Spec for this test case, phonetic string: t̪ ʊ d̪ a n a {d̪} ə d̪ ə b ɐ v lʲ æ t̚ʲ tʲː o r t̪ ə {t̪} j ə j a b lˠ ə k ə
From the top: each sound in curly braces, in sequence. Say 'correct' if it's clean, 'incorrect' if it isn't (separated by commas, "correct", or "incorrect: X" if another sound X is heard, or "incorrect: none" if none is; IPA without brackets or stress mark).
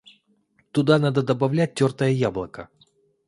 correct, incorrect: none